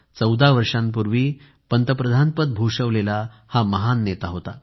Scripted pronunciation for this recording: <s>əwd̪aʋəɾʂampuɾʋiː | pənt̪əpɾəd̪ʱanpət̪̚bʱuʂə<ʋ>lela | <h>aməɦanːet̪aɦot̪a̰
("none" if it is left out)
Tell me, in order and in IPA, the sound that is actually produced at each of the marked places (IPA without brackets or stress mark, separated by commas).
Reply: t͡s, ʋ, h